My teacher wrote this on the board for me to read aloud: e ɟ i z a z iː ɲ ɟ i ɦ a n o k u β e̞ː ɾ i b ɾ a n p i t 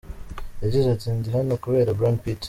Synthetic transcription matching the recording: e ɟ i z a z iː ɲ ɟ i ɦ a n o k u β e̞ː ɾ a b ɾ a n p i t